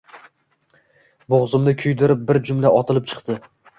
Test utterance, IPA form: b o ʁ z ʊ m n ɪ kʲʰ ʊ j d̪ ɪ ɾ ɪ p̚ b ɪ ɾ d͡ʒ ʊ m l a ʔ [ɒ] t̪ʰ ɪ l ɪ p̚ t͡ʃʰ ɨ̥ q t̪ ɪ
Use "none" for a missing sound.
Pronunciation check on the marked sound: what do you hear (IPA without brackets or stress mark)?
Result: ɒ